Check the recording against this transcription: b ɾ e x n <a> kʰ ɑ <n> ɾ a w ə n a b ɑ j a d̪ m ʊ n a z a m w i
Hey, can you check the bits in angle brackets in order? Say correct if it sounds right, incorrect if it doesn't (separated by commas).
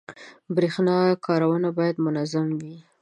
incorrect, incorrect